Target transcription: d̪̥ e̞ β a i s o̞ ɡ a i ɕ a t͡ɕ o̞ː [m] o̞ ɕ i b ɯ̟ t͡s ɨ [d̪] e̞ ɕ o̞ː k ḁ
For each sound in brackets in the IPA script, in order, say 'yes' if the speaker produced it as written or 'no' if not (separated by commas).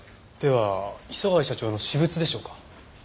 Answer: no, yes